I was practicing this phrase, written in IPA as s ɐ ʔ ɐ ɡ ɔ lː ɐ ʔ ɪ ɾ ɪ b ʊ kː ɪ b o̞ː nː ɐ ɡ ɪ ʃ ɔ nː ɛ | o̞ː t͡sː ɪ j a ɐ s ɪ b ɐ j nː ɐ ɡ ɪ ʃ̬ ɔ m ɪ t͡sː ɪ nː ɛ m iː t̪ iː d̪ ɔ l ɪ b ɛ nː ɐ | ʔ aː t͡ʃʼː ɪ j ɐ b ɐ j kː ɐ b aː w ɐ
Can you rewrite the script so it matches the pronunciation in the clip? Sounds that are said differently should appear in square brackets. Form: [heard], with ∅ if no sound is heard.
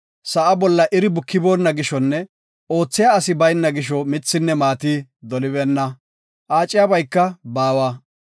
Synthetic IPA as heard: s ɐ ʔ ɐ [b] ɔ lː ɐ ʔ ɪ ɾ ɪ b ʊ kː ɪ b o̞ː nː ɐ ɡ ɪ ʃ ɔ nː ɛ | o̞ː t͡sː ɪ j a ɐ s ɪ b ɐ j nː ɐ ɡ ɪ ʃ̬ ɔ m ɪ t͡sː ɪ nː ɛ m [aː] t̪ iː d̪ ɔ l ɪ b ɛ nː ɐ | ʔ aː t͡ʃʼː ɪ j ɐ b ɐ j kː ɐ b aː w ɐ